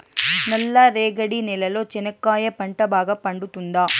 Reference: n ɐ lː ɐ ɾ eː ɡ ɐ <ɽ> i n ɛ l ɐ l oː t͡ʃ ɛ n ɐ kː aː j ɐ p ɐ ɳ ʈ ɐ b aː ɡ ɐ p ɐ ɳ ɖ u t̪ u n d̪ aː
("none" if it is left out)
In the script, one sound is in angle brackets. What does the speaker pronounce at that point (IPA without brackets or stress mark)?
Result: ɽ